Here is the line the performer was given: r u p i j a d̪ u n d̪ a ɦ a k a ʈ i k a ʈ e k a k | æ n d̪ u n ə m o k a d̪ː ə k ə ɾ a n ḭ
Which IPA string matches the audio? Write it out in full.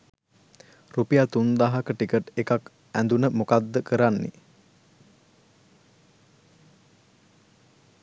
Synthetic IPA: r u p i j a t̪ u n d̪ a ɦ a k ə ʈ i k ə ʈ e k a k | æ n d̪ u n ə m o k a d̪ː ə k ə ɾ a nː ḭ